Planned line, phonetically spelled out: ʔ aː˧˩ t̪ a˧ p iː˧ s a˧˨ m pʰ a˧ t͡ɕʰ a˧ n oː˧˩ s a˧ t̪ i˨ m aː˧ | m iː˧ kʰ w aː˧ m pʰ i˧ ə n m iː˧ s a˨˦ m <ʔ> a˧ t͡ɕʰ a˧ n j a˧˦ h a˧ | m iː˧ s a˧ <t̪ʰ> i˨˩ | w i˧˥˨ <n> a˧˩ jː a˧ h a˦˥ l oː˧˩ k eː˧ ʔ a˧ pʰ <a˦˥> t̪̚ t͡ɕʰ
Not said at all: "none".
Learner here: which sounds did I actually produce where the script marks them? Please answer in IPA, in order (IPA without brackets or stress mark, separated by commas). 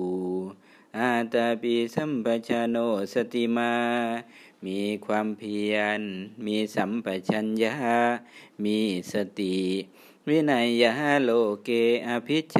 p, t̪, n, i˦˥